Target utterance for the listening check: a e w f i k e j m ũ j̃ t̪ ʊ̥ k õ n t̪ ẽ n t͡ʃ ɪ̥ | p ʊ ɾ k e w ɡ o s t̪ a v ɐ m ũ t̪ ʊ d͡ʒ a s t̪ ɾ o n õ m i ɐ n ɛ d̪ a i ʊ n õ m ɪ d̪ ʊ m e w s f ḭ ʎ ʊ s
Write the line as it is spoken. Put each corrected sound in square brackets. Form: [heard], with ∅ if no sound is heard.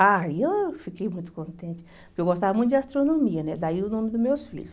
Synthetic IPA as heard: a e w f i k e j m ũ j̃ t̪ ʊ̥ k õ n t̪ ẽ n t͡ʃ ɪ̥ | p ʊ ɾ k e w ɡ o s t̪ a v ɐ m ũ t̪ ʊ d͡ʒ a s t̪ ɾ o n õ m i ɐ n ɛ d̪ a i ʊ n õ m ɪ d̪ ʊ m e w s f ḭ ʎ ʊ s